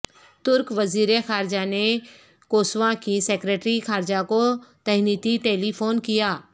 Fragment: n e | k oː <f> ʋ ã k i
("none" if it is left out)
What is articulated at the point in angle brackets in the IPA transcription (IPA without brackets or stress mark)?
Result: s